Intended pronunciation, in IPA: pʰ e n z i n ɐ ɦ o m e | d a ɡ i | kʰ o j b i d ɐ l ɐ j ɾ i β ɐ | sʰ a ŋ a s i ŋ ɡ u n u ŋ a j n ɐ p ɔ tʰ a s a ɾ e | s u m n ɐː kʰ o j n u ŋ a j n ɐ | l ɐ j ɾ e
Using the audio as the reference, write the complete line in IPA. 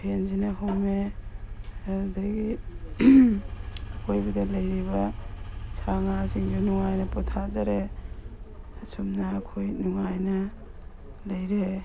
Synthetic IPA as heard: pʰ e n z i n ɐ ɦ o m e | d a ɡ i | kʰ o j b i d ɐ l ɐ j ɾ i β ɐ | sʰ a ŋ a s i ŋ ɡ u n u ŋ a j n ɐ p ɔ tʰ a z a ɾ e | s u m n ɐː kʰ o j n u ŋ a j n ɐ | l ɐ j ɾ e

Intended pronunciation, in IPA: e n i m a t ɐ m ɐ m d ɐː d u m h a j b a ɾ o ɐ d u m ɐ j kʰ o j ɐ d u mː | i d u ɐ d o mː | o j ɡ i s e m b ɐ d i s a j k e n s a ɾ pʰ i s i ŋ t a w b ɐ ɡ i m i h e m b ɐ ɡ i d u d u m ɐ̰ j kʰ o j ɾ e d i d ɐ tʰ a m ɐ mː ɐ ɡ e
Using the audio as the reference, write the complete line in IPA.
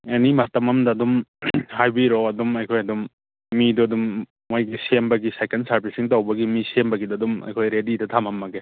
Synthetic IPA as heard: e n i m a t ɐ m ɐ m d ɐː d u m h a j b i ɾ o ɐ d u m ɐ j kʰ o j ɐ d u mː | i d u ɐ d u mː | o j ɡ i s e m b ɐ ɡ i s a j k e n s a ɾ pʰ i s i ŋ t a w b ɐ ɡ i m i s e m b ɐ ɡ i d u d u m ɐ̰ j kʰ o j ɾ e d i d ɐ tʰ a m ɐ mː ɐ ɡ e

